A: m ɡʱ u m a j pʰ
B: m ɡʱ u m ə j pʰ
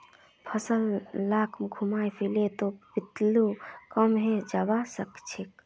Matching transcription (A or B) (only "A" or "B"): A